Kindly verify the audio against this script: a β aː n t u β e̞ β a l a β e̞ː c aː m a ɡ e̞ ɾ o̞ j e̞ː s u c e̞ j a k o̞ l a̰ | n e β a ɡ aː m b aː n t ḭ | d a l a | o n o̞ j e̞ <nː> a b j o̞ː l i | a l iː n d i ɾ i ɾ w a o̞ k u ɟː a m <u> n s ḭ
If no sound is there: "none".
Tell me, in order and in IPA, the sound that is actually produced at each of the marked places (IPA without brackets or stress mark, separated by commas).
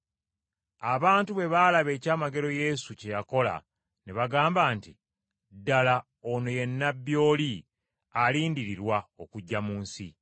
nː, uː